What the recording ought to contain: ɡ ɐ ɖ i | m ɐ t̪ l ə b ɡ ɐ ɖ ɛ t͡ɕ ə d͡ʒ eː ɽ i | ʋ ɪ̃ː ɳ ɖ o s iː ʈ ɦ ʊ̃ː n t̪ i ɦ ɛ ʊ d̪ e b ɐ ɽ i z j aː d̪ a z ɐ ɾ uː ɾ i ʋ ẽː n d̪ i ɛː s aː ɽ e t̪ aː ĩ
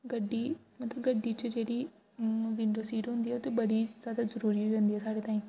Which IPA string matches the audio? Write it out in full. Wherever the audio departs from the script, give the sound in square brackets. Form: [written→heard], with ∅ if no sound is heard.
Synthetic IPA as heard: ɡ ɐ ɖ i | m ɐ t̪ l ə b ɡ ɐ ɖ [ɛ→i] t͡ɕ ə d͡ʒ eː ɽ i | ʋ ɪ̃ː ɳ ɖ o s iː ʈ ɦ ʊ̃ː n [t̪→d̪] i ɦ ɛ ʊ [d̪→t̪] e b ɐ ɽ i z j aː d̪ a z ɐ ɾ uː ɾ i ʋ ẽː n d̪ i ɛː s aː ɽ e t̪ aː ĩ